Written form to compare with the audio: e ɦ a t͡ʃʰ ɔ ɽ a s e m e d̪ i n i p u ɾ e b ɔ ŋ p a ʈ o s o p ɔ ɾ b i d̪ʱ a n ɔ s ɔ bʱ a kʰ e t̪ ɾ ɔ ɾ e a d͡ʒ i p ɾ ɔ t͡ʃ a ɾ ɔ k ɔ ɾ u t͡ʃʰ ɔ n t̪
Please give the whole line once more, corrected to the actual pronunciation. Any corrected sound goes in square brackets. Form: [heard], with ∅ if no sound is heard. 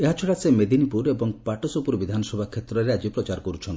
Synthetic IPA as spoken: e ɦ a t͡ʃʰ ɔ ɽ a s e m e d̪ i n i p u ɾ e b ɔ ŋ p a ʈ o s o p [u] ɾ b i d̪ʱ a n ɔ s ɔ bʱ a kʰ e t̪ ɾ ɔ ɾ e a d͡ʒ i p ɾ ɔ t͡ʃ a ɾ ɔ k ɔ ɾ u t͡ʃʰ ɔ n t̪